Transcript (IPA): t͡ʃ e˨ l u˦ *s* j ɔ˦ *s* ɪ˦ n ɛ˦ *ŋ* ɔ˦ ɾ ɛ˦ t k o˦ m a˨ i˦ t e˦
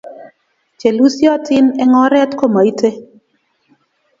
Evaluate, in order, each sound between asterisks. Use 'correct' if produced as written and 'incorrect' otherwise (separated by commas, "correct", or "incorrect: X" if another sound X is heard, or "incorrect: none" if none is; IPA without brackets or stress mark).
correct, incorrect: t, correct